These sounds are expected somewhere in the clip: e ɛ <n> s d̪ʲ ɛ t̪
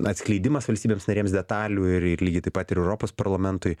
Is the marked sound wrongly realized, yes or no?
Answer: yes